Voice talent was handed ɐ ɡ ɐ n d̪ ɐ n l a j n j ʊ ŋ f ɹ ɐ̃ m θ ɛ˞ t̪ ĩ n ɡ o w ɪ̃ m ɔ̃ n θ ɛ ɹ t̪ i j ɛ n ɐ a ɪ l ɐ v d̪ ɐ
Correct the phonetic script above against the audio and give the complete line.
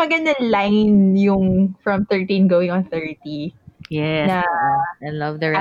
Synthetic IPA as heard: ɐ ɡ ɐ n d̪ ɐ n l a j n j ʊ ŋ f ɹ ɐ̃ m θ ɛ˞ t̪ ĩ n ɡ o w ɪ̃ ŋ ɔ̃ n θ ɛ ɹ t̪ i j ɛ n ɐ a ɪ l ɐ v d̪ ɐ